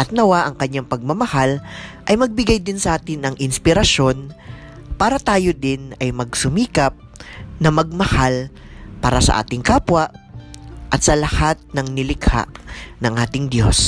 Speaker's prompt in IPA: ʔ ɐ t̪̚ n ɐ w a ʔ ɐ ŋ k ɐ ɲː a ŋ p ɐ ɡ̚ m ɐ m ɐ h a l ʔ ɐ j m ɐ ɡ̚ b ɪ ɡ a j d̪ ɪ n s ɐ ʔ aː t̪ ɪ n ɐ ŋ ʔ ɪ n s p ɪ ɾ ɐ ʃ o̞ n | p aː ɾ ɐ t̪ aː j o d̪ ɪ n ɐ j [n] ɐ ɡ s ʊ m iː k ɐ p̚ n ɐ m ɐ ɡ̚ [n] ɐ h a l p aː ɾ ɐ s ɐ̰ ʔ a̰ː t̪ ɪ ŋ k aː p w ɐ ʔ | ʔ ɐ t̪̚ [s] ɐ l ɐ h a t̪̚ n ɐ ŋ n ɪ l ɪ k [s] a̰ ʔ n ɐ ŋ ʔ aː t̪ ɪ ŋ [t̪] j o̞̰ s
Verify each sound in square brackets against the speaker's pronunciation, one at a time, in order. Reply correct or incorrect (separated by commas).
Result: incorrect, incorrect, correct, incorrect, incorrect